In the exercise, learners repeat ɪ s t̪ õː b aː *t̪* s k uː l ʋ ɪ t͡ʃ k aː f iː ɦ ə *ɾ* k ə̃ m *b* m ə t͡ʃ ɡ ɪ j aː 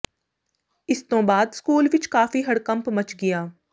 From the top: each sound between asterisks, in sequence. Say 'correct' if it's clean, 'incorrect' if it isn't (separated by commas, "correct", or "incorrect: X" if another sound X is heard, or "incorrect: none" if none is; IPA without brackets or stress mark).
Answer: incorrect: d̪, incorrect: ɽ, incorrect: p